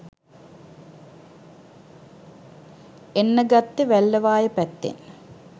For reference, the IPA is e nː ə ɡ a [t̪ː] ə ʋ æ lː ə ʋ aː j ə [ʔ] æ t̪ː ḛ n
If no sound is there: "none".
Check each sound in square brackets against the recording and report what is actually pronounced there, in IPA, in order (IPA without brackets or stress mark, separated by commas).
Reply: t̪ː, p